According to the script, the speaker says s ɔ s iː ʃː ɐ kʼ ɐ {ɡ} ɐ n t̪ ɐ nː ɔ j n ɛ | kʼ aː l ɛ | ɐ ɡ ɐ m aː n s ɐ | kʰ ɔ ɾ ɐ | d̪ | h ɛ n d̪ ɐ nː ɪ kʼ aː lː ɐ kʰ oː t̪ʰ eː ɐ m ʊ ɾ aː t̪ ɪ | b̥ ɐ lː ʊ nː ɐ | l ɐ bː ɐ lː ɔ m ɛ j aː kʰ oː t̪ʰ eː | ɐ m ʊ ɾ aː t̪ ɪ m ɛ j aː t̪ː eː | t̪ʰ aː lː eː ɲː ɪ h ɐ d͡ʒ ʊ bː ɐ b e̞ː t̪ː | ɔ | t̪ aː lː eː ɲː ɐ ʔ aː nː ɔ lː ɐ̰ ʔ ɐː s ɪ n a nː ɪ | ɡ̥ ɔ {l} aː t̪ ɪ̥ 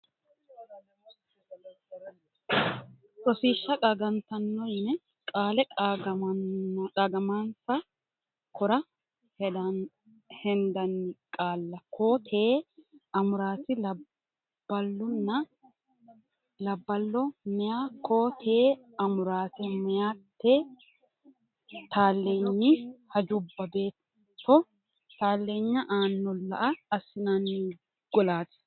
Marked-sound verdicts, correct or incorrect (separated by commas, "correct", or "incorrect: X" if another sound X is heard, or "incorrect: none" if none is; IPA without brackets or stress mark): correct, correct